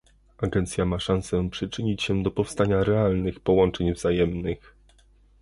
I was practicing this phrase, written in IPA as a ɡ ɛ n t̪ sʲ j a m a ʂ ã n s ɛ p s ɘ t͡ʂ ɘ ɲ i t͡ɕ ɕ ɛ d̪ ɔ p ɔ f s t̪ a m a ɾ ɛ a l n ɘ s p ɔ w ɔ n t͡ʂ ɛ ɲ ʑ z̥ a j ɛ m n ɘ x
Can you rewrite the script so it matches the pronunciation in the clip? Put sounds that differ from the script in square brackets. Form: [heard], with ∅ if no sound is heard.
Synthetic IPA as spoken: a ɡ ɛ n t̪ sʲ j a m a ʂ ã n s ɛ p [ʂ] ɘ t͡ʂ ɘ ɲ i t͡ɕ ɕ ɛ d̪ ɔ p ɔ f s t̪ a [ɲ] a ɾ ɛ a l n ɘ [x] p ɔ w ɔ n t͡ʂ ɛ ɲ [v] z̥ a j ɛ m n ɘ x